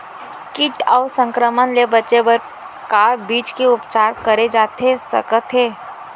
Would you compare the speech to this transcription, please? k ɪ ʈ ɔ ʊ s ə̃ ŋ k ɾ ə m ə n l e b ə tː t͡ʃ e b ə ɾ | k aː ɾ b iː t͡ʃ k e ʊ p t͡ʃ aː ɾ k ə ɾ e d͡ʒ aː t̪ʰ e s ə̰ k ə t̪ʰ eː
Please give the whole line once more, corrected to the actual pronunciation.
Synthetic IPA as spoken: k ɪ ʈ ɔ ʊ s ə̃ ŋ k ɾ ə m ə n l e b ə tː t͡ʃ e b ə ɾ | k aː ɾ b iː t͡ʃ k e ʊ p t͡ʃ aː ɾ k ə ɾ e d͡ʒ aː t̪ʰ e s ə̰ k ə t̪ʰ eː